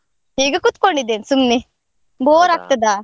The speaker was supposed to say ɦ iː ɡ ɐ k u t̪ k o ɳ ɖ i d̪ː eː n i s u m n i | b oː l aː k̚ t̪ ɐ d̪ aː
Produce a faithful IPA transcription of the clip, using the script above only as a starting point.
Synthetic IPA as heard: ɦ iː ɡ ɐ k u t̪ k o ɳ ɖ i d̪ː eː n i s u m n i | b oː ɾ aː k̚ t̪ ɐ d̪ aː